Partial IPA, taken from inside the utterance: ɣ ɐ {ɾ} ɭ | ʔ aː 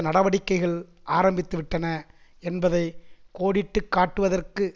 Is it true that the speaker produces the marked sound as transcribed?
no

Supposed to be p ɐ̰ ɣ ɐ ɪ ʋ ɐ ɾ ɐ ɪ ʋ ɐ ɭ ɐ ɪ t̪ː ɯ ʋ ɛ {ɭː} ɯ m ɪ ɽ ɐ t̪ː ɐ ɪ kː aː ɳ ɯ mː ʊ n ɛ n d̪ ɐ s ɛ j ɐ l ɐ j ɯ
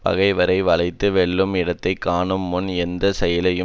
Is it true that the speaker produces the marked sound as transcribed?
yes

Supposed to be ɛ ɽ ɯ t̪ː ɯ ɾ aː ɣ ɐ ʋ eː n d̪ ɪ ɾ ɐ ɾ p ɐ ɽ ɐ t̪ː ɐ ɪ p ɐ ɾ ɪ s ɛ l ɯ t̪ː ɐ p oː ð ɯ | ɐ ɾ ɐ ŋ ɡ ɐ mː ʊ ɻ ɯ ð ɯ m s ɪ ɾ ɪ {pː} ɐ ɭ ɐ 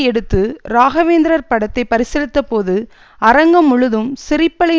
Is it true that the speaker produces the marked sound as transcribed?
yes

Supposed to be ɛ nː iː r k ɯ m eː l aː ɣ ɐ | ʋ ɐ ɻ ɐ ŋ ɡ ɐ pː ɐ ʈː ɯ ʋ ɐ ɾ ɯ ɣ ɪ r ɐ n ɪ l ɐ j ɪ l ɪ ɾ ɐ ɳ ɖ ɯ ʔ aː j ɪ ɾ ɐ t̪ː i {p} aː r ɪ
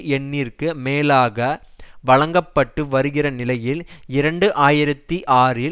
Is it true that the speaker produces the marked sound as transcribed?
no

